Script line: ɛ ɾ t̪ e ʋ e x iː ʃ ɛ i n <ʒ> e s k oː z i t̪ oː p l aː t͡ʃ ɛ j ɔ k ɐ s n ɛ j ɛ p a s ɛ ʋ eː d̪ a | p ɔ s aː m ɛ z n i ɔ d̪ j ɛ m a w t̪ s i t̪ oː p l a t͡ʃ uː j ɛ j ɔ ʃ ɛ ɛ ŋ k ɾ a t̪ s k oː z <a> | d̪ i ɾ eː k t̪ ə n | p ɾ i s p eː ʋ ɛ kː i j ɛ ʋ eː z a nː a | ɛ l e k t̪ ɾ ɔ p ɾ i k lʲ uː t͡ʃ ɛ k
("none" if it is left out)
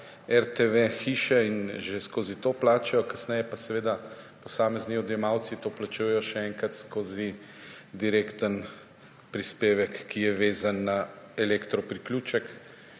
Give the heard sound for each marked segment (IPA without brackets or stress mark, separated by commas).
ʒ, i